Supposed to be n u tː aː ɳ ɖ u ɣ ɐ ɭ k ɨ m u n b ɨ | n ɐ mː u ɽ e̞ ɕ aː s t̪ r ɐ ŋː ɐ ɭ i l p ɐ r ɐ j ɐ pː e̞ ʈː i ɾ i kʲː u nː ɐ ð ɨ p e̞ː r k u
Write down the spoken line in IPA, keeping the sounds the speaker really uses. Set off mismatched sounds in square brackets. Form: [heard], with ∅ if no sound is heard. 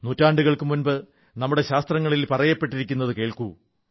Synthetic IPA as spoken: n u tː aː ɳ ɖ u ɣ ɐ ɭ k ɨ m u n b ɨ | n ɐ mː u ɽ e̞ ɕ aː s t̪ r ɐ ŋː ɐ ɭ i l p ɐ r ɐ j ɐ pː e̞ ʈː i ɾ i kʲː u nː ɐ ð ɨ [k] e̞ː [ɭ] k u